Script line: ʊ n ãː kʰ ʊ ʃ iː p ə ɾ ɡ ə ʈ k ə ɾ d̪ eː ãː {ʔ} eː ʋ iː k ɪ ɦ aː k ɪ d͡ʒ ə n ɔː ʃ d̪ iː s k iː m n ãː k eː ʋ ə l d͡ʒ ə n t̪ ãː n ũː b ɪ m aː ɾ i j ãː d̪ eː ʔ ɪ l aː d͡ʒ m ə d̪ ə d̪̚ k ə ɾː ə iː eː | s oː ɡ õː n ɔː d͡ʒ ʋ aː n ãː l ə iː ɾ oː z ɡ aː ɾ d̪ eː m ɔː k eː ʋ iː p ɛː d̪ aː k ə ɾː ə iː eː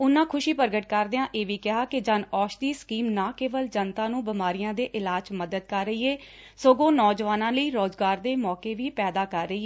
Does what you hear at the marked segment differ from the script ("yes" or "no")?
no